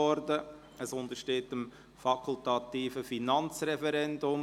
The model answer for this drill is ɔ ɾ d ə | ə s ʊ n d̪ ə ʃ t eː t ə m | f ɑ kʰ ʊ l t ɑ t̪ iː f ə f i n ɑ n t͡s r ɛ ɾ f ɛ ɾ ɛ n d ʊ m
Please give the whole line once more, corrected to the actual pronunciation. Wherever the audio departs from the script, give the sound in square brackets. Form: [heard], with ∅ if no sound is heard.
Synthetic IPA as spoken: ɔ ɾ d ə | ə s ʊ n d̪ ə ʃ t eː t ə m | f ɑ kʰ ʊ l t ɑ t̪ iː f ə f i n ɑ n t͡s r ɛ [∅] f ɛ ɾ ɛ n d ʊ m